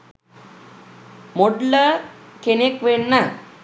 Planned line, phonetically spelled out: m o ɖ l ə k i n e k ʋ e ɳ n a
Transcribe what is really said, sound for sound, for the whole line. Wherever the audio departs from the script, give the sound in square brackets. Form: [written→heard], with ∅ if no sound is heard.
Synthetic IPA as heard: m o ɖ l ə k [i→e] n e k ʋ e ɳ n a